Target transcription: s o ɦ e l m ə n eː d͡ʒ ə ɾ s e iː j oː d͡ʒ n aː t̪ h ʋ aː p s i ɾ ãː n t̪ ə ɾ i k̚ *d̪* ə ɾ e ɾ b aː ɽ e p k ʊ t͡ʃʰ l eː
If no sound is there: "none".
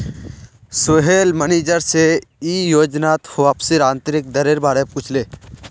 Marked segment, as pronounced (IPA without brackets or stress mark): d̪